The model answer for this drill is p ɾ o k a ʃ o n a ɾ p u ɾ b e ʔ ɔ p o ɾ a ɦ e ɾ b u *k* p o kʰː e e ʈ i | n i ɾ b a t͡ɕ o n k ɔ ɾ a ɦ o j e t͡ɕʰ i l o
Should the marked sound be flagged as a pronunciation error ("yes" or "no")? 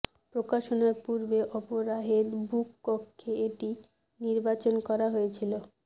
no